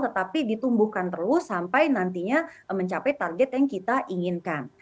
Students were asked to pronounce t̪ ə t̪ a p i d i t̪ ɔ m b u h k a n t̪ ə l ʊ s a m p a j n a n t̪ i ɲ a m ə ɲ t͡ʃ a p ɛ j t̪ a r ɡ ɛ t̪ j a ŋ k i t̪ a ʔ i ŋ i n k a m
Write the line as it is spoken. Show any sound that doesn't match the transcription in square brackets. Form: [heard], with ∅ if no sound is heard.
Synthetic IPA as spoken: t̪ ə t̪ a p i d i t̪ [u] m b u h k a n t̪ ə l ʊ s a m p a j n a n t̪ i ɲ a m ə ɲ t͡ʃ a p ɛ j t̪ a r ɡ ɛ t̪ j a ŋ k i t̪ a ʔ i ŋ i n k a [n]